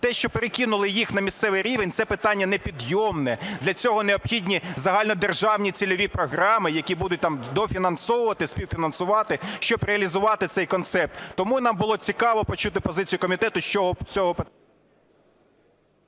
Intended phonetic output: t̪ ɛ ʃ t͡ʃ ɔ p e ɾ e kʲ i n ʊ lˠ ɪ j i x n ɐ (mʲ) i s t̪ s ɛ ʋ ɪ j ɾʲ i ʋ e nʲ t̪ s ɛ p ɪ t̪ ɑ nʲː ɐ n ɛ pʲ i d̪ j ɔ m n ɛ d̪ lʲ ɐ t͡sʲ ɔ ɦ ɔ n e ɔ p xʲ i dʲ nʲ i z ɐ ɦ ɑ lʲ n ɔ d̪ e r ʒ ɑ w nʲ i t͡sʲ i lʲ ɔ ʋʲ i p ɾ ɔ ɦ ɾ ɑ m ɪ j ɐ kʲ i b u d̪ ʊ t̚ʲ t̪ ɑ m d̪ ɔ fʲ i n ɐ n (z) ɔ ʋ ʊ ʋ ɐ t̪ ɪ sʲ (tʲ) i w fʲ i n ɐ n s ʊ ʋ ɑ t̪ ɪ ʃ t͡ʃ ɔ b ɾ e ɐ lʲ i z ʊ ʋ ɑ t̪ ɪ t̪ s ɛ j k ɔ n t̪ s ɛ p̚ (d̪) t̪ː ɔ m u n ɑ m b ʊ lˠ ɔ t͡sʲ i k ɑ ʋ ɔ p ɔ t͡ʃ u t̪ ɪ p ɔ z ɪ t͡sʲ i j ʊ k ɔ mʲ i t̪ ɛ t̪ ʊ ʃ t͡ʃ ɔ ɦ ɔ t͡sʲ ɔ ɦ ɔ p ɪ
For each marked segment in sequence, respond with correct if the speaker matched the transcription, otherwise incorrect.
correct, incorrect: s, incorrect: pʲ, incorrect: t̪

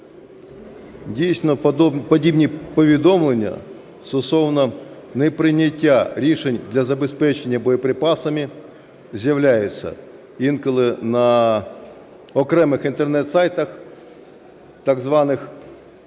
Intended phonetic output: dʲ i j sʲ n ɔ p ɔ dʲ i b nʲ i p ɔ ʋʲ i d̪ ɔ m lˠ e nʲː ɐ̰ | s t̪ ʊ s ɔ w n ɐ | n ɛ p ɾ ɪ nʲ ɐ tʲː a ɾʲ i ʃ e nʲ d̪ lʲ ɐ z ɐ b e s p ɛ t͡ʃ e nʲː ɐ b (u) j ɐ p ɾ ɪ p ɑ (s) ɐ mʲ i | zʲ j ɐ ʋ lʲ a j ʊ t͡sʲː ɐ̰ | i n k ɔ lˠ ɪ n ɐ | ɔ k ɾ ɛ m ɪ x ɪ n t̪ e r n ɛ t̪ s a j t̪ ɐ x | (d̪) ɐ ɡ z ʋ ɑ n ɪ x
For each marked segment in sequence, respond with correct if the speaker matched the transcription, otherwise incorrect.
incorrect: ɔ, correct, incorrect: t̪

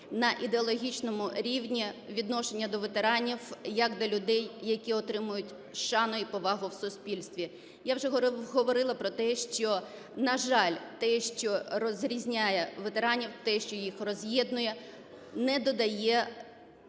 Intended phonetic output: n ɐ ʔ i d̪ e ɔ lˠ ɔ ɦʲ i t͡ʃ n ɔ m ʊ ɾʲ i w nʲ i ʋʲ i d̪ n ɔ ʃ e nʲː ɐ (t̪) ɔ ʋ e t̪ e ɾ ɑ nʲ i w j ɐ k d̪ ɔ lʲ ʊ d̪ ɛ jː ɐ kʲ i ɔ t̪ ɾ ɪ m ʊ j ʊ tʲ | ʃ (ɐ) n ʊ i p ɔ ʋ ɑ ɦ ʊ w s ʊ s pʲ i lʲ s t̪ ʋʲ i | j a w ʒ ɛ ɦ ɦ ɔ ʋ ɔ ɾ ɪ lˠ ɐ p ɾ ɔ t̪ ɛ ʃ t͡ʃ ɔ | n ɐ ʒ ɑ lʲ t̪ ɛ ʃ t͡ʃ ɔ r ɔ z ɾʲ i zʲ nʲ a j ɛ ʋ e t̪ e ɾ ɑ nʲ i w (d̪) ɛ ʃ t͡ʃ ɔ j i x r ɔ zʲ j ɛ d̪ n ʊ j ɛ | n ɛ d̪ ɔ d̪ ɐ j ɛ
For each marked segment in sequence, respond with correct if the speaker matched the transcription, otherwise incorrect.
incorrect: d̪, incorrect: ɑ, incorrect: t̪

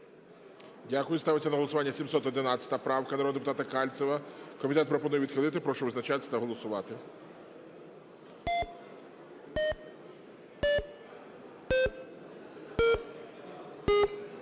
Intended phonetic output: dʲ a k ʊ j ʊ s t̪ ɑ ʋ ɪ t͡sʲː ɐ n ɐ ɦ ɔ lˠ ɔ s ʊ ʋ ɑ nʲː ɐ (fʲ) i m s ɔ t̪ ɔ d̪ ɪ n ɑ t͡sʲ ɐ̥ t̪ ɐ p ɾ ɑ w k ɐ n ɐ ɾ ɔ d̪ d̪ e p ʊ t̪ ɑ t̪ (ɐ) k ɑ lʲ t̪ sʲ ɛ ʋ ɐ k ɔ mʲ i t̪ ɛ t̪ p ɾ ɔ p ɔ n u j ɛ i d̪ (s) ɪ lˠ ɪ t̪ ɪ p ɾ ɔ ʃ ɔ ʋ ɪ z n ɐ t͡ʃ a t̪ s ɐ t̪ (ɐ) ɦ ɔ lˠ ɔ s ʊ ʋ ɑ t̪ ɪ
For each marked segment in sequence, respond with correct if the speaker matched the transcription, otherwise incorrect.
incorrect: sʲ, correct, incorrect: x, correct

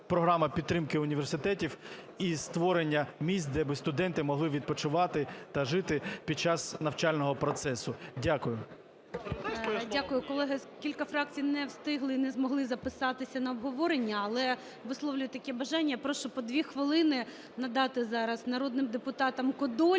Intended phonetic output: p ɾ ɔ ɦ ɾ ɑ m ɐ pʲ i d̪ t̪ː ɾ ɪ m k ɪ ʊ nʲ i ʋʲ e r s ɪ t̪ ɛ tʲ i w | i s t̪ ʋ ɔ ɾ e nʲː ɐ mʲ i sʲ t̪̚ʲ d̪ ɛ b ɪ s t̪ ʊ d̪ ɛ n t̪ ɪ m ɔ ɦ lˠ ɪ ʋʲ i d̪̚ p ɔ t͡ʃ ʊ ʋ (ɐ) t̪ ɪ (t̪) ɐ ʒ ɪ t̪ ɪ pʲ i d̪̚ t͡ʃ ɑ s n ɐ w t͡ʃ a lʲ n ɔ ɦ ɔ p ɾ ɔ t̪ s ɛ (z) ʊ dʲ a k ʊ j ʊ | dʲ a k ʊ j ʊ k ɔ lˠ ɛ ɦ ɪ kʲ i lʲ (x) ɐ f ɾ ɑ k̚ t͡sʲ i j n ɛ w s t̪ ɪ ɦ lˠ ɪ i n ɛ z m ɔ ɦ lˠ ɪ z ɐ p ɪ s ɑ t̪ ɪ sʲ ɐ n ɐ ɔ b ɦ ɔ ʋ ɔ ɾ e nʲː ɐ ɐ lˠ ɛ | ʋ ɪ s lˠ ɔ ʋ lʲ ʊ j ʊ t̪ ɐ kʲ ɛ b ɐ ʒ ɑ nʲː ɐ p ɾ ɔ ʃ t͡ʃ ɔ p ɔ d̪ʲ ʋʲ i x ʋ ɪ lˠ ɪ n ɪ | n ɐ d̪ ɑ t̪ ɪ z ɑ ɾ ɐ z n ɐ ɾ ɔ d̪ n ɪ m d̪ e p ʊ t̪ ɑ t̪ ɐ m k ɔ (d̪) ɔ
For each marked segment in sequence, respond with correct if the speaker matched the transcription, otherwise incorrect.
incorrect: ɑ, correct, incorrect: s, incorrect: k, correct

